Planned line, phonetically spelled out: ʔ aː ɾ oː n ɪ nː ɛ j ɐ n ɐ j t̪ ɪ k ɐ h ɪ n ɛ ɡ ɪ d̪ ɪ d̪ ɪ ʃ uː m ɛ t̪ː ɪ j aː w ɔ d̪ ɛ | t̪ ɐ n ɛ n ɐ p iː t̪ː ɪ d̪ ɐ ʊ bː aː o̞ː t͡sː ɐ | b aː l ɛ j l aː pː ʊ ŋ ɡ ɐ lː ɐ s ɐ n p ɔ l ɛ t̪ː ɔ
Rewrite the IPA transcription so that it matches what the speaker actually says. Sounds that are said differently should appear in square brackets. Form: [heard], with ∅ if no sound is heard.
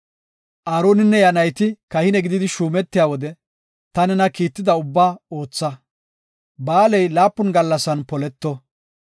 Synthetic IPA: ʔ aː ɾ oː n ɪ nː ɛ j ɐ n ɐ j t̪ ɪ k ɐ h ɪ n ɛ ɡ ɪ d̪ ɪ d̪ ɪ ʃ uː m ɛ t̪ː ɪ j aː w ɔ d̪ ɛ | t̪ ɐ n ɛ n ɐ [k] iː t̪ː ɪ d̪ ɐ ʊ bː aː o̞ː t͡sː ɐ | b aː l ɛ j l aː pː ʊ [n] ɡ ɐ lː ɐ s ɐ n p ɔ l ɛ t̪ː ɔ